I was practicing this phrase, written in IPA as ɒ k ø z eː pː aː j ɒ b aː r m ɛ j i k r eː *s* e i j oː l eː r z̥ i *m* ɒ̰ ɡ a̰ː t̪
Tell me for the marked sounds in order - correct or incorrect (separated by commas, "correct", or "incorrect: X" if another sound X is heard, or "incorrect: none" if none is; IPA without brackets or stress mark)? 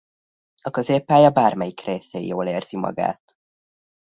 correct, correct